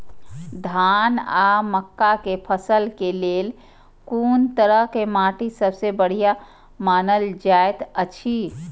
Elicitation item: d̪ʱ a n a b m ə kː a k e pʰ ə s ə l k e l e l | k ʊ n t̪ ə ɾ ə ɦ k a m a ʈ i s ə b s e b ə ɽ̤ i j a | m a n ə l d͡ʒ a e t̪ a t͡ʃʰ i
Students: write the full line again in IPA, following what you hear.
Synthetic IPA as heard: d̪ʱ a n a m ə kː a k e pʰ ə s ə l k e l e l | k u n t̪ ə ɾ ə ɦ k e m a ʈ i s ə b s e b ə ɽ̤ i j a | m a n ə l d͡ʒ a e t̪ ə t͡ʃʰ i